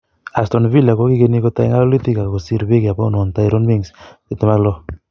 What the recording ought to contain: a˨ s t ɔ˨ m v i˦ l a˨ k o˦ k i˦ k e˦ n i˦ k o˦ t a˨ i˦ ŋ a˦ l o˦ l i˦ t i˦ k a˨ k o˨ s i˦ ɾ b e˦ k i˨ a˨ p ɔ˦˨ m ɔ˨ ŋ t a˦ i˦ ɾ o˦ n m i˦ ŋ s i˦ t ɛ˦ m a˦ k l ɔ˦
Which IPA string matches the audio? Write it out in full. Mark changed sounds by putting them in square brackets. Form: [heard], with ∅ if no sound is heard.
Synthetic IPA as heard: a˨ s t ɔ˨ [n] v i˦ l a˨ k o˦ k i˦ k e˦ n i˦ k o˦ t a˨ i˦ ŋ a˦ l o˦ l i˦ t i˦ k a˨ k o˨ s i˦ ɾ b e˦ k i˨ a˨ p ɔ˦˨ [n] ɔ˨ [n] t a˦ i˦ ɾ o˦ n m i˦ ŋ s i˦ t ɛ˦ m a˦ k l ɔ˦

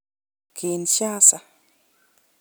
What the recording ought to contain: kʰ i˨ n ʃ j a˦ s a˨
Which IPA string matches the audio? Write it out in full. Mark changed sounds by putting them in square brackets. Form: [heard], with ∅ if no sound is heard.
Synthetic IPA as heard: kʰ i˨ n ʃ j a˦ s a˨

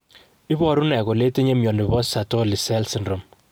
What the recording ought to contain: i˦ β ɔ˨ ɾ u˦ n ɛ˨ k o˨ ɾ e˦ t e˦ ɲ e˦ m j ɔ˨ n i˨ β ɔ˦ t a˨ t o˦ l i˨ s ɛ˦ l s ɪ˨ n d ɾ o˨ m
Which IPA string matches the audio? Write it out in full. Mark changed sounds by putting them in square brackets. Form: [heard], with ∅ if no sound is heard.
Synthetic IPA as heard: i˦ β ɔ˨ ɾ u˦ n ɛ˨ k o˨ [l] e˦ t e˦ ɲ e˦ m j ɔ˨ n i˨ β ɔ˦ [s] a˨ t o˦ l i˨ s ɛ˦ l s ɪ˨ n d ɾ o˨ m

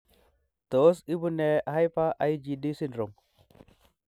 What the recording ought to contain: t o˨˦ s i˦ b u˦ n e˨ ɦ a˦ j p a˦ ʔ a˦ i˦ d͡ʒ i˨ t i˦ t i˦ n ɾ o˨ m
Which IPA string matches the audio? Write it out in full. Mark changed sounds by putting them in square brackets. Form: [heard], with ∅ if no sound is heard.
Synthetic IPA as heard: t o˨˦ s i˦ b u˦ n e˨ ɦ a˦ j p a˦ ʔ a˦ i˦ d͡ʒ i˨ [d] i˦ [s] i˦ n ɾ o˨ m

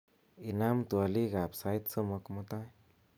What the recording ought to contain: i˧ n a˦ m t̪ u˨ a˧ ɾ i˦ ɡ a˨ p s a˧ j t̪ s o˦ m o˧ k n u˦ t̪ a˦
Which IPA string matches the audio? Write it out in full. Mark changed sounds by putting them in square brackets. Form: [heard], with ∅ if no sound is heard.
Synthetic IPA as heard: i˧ n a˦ m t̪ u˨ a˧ [l] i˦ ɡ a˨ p s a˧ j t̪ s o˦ m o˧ k [m] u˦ t̪ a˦

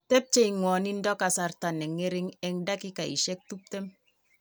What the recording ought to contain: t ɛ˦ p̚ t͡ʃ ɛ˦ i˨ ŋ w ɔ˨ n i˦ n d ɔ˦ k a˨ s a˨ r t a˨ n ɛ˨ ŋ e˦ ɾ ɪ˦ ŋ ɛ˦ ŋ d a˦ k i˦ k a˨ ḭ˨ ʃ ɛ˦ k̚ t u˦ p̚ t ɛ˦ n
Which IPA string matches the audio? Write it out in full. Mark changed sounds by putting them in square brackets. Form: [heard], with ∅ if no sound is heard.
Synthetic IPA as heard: t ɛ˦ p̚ t͡ʃ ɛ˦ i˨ ŋ w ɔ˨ n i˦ n d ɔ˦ k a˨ s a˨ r t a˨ n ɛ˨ ŋ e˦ ɾ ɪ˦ ŋ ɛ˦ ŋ d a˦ k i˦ k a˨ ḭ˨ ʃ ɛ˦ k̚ t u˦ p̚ t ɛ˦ [m]

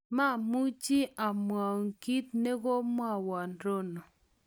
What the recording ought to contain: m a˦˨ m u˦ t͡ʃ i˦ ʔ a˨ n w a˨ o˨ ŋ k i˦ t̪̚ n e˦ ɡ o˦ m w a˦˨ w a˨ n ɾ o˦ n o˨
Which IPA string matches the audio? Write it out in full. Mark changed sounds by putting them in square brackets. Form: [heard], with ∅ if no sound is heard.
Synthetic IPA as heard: m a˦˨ m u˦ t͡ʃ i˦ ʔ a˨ [m] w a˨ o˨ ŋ k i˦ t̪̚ n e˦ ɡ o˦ m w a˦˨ w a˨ n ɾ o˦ n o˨

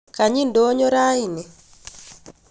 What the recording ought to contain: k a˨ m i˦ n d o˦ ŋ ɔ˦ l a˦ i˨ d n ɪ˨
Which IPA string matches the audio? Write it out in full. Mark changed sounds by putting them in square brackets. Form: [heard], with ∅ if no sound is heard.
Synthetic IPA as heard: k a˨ [ɲ] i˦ n d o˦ [ɲ] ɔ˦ [ɾ] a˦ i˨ [∅] n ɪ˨

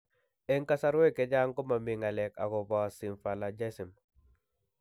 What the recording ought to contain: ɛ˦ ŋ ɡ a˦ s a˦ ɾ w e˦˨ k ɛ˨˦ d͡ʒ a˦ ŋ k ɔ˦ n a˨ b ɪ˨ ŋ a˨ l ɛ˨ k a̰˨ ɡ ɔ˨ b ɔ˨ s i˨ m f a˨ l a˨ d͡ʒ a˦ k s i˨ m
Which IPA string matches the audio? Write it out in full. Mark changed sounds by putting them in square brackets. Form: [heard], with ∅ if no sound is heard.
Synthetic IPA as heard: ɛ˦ ŋ [k] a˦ s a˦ ɾ w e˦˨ k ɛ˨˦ d͡ʒ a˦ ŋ k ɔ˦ [m] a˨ [m] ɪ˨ ŋ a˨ l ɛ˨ k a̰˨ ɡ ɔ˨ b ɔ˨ s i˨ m f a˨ l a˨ d͡ʒ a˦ [∅] s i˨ m

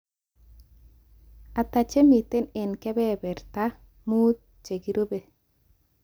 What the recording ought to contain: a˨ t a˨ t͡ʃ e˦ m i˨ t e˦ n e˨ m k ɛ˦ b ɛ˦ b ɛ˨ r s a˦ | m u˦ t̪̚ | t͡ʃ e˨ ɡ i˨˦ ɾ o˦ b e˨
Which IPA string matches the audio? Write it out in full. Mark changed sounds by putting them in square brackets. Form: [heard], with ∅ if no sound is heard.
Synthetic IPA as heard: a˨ t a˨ t͡ʃ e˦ m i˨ t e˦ n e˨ [n] k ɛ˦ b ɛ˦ b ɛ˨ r [t] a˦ | m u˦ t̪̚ | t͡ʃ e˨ ɡ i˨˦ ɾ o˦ b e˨

